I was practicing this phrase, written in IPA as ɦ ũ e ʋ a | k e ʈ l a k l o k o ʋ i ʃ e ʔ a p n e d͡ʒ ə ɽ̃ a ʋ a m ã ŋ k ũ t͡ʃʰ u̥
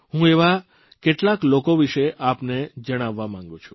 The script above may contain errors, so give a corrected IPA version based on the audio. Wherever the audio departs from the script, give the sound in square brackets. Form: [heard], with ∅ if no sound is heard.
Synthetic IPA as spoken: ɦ ũ e ʋ a | k e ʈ l a k l o k o ʋ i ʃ e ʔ a p n e d͡ʒ ə ɽ̃ a [ʋː] a m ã ŋ [ɡ] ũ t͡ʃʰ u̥